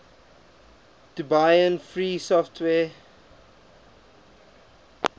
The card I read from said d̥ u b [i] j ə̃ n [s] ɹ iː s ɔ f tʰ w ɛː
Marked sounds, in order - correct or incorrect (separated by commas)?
incorrect, incorrect